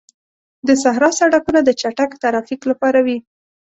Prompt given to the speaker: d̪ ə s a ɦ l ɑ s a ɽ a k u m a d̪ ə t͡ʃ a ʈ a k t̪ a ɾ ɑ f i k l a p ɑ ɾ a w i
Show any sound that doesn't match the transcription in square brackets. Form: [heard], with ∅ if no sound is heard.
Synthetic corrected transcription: d̪ ə s a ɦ [ɾ] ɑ s a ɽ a k u [n] a d̪ ə t͡ʃ a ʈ a k t̪ a ɾ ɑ f i k l a p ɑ ɾ a w i